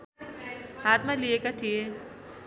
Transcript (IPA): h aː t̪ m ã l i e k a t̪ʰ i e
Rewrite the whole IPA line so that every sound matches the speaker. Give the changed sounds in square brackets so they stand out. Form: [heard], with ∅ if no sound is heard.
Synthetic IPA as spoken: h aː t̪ m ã l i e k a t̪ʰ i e

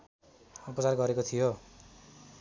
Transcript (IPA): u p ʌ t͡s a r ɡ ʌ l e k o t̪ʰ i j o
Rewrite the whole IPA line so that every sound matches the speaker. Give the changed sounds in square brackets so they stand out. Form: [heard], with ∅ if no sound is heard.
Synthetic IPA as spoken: u p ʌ t͡s a r ɡ ʌ [ɾ] e k o t̪ʰ i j o

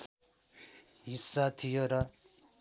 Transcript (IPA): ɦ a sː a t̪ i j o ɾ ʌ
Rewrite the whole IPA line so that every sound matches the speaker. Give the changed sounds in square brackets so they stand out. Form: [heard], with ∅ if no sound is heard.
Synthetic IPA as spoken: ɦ [i] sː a [t̪ʰ] i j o ɾ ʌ

